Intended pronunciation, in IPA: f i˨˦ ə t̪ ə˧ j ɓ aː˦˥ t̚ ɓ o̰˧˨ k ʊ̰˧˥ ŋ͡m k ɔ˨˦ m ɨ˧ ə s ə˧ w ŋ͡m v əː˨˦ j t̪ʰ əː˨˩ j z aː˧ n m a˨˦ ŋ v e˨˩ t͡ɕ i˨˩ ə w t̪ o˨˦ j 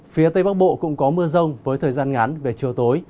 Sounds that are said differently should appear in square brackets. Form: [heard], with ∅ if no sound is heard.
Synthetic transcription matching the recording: f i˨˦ ə t̪ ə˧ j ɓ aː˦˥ [k̚] ɓ o̰˧˨ k ʊ̰˧˥ ŋ͡m k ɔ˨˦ m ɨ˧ ə [z] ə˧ w ŋ͡m v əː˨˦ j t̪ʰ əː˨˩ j z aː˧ n [ŋ] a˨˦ [n] v e˨˩ t͡ɕ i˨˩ ə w t̪ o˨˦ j